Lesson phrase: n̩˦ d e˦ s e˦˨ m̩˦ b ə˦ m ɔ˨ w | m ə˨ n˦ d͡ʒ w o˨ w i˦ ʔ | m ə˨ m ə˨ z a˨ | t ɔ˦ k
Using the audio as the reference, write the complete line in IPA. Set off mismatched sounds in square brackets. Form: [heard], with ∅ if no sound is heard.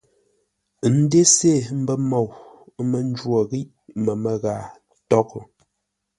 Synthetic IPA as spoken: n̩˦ d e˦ s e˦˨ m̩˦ b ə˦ m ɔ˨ w | m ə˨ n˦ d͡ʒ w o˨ [ɣ] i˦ ʔ | m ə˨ m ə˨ [ɣ] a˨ | t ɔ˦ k